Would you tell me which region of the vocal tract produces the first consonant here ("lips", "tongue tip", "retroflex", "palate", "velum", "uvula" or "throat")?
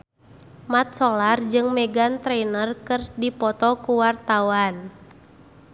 lips